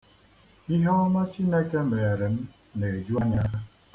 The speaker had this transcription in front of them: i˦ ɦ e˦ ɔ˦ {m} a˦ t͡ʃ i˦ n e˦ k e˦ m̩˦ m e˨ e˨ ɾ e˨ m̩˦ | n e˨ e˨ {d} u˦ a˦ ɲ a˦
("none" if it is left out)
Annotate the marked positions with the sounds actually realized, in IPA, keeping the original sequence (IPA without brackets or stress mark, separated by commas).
m, d͡ʒ